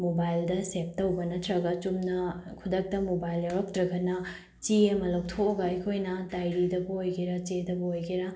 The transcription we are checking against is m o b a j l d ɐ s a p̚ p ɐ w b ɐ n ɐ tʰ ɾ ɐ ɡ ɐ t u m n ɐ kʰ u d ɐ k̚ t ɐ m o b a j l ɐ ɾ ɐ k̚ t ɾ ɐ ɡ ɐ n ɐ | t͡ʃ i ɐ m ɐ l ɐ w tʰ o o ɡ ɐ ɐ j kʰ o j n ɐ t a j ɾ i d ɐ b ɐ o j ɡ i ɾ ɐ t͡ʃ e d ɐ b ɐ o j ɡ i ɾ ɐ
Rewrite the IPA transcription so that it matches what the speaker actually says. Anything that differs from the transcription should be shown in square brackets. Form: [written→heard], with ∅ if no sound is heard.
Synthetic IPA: m o b a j l d ɐ s [a→e] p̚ [p→t] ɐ w b ɐ n ɐ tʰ ɾ ɐ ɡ ɐ [t→t͡ʃ] u m n ɐ kʰ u d ɐ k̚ t ɐ m o b a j l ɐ ɾ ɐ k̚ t ɾ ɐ ɡ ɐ n ɐ | t͡ʃ i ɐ m ɐ l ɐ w tʰ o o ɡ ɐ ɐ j kʰ o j n ɐ t a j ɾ i d ɐ b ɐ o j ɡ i ɾ ɐ t͡ʃ e d ɐ b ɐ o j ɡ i ɾ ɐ